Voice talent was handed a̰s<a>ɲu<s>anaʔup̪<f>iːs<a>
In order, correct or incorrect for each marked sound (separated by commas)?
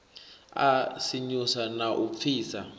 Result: incorrect, correct, correct, correct